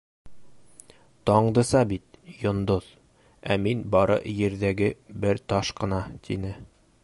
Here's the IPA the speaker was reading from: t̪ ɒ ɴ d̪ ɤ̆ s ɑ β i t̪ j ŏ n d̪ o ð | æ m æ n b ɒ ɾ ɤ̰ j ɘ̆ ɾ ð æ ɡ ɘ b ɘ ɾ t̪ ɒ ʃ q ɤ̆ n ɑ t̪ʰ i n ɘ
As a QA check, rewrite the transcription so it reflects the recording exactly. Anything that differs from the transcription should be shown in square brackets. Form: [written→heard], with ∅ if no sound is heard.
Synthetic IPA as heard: t̪ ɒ ɴ d̪ ɤ̆ s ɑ [β→b] i t̪ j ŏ n d̪ o ð | æ m [æ→i] n b ɒ ɾ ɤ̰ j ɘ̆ ɾ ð æ ɡ ɘ b ɘ ɾ t̪ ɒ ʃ q ɤ̆ n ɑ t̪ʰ i n ɘ

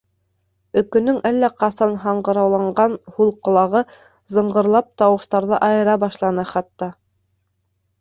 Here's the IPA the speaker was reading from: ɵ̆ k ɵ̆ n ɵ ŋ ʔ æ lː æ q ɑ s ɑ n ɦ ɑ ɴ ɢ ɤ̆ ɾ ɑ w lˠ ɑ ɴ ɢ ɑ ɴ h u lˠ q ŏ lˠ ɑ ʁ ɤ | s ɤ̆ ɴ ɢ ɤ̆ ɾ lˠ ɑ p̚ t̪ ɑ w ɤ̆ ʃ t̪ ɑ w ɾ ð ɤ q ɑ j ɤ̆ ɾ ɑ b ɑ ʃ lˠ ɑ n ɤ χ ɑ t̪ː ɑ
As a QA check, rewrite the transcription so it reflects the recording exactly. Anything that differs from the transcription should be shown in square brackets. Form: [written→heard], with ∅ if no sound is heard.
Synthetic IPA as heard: ɵ̆ k ɵ̆ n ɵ ŋ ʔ æ lː æ q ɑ s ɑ n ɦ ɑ ɴ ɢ ɤ̆ ɾ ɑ w lˠ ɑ ɴ ɢ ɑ [ɴ→n] h u lˠ q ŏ lˠ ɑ ʁ ɤ | [s→z] ɤ̆ ɴ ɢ ɤ̆ ɾ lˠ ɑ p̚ t̪ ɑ w ɤ̆ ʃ t̪ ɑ [w→∅] ɾ ð ɤ [q→ʔ] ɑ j ɤ̆ ɾ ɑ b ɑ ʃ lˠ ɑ n ɤ χ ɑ t̪ː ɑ

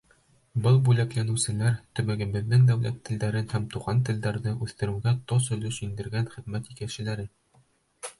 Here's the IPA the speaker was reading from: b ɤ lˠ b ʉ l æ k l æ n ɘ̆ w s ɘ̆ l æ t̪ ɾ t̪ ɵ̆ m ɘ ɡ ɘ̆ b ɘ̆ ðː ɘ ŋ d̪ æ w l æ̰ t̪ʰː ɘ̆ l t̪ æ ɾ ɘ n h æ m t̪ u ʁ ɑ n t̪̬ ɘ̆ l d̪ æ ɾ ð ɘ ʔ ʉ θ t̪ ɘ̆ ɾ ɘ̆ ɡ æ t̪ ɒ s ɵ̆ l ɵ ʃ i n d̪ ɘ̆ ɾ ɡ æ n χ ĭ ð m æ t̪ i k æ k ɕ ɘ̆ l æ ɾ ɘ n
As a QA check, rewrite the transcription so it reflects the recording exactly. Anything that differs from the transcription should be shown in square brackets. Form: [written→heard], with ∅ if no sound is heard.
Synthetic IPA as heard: b ɤ lˠ b ʉ l æ k l æ n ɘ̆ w s ɘ̆ l æ [t̪→∅] ɾ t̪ ɵ̆ m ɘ ɡ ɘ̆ b ɘ̆ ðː ɘ ŋ d̪ æ w l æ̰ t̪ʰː ɘ̆ l [t̪→d̪] æ ɾ ɘ n h æ m t̪ u ʁ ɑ n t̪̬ ɘ̆ l d̪ æ ɾ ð ɘ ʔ ʉ θ t̪ ɘ̆ ɾ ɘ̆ ɡ æ t̪ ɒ s ɵ̆ l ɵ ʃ i n d̪ ɘ̆ ɾ ɡ æ n χ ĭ ð m æ t̪ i k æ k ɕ ɘ̆ l æ ɾ ɘ n

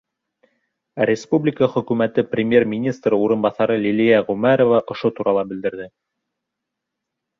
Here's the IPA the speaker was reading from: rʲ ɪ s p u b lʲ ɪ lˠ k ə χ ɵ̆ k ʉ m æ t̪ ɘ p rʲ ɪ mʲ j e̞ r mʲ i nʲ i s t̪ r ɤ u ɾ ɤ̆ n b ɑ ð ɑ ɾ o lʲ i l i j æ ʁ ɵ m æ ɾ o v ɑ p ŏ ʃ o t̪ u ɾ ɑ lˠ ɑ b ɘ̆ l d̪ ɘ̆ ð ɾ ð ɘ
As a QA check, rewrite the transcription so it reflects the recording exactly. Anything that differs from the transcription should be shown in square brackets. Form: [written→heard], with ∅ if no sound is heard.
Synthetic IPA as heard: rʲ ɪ s p u b lʲ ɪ [lˠ→∅] k ə χ ɵ̆ k ʉ m æ t̪ ɘ p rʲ ɪ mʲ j e̞ r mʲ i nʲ i s t̪ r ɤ u ɾ ɤ̆ n b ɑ [ð→θ] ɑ ɾ [o→ɤ] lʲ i l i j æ ʁ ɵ m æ ɾ o v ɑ [p→ʔ] ŏ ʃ o t̪ u ɾ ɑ lˠ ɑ b ɘ̆ l d̪ ɘ̆ [ð→∅] ɾ ð ɘ

